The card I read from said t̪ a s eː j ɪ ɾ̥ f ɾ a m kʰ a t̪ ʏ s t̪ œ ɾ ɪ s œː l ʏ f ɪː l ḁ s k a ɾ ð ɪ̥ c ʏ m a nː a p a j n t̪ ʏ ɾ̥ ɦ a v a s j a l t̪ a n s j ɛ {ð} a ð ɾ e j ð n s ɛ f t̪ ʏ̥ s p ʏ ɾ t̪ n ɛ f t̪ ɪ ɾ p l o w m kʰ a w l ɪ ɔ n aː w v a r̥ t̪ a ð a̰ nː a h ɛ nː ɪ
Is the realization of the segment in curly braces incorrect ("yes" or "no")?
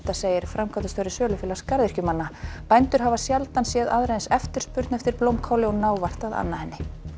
no